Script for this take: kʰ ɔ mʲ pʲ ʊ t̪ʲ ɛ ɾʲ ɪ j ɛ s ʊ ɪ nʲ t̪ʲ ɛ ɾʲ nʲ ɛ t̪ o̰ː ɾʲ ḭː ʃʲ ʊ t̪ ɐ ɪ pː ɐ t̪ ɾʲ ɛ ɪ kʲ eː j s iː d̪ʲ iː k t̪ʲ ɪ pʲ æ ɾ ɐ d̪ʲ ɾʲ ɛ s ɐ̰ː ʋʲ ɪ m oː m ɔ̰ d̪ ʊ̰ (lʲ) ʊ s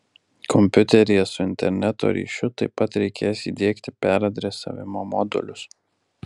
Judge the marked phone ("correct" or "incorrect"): correct